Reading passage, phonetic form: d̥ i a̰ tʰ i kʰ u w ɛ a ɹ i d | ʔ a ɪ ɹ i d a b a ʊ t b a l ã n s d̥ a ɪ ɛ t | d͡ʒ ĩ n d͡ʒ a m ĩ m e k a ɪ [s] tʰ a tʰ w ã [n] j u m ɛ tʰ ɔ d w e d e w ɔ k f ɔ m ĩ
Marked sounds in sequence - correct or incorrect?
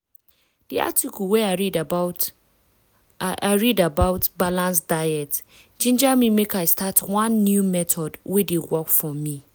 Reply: correct, incorrect: nː

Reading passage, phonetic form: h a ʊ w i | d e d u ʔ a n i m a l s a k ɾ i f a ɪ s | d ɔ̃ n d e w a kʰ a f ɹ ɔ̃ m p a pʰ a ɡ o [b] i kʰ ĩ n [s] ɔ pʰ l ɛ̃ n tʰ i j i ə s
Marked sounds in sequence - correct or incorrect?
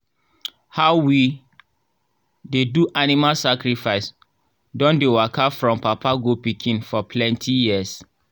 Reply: incorrect: p, incorrect: f

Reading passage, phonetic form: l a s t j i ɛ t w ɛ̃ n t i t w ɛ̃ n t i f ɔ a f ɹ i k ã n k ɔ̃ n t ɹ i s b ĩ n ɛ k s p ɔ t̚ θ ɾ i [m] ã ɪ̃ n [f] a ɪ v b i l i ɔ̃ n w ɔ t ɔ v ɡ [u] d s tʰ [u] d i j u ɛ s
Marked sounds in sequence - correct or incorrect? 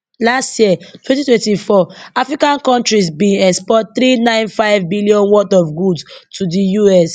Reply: incorrect: n, correct, correct, correct

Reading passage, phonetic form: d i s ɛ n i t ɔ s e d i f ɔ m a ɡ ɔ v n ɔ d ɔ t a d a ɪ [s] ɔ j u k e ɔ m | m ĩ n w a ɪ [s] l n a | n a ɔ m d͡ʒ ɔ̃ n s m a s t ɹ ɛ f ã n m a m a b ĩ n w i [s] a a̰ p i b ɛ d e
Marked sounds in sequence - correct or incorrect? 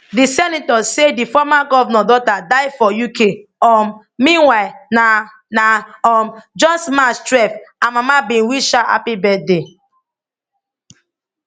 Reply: incorrect: f, incorrect: none, incorrect: ʃ

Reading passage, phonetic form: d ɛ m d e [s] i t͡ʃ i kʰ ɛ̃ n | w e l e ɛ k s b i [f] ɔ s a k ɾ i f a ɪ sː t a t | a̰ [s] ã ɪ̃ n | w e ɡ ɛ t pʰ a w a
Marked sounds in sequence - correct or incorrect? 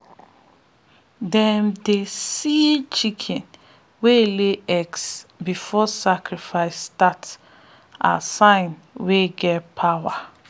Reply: correct, correct, correct

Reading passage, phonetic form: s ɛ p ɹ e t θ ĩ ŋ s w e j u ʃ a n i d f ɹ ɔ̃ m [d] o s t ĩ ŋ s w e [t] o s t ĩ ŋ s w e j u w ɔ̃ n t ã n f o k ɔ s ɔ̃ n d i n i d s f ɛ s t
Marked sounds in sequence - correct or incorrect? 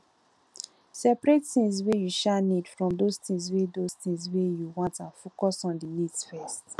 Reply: correct, incorrect: d

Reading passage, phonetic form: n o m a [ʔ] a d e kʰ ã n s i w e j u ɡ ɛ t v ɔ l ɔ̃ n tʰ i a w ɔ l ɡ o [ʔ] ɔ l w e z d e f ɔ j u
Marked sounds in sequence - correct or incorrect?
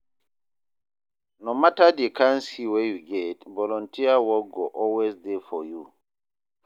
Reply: incorrect: t, correct

